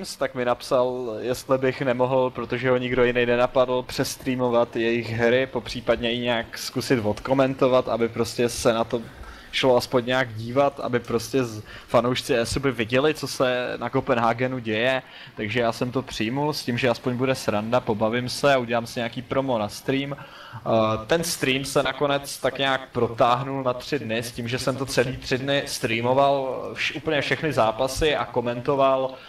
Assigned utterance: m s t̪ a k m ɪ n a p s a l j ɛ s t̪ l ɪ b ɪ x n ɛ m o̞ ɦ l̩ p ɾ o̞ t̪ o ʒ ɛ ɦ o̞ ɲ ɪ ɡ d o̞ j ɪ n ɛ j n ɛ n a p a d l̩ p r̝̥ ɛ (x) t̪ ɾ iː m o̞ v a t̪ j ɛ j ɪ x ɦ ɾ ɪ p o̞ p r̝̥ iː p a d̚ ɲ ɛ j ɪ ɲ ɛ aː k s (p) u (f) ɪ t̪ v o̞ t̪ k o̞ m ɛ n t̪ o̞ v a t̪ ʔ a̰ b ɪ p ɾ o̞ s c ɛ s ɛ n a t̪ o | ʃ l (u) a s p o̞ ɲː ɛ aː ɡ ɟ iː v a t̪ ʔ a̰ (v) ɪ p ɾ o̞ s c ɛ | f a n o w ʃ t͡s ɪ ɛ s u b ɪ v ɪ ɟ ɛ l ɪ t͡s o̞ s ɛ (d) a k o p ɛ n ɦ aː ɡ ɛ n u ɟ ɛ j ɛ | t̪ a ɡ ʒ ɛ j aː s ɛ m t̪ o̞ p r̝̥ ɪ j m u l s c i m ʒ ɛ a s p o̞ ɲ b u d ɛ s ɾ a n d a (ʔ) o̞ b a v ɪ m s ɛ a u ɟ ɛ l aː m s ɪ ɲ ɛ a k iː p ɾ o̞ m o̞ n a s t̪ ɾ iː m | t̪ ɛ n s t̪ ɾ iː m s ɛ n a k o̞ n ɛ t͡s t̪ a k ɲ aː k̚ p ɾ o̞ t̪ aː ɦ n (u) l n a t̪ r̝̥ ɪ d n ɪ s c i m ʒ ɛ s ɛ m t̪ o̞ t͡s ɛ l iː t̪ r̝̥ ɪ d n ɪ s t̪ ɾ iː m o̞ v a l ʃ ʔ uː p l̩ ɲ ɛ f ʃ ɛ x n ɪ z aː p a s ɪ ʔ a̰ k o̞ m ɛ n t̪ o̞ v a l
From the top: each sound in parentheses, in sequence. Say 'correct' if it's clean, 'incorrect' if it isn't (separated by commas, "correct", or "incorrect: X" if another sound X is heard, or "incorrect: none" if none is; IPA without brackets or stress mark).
incorrect: s, incorrect: k, incorrect: s, incorrect: o, incorrect: b, incorrect: n, incorrect: p, correct